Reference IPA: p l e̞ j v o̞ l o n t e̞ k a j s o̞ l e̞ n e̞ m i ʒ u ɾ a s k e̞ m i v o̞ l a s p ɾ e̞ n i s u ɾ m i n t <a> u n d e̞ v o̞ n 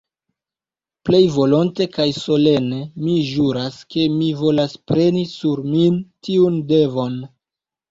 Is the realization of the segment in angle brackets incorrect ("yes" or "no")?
yes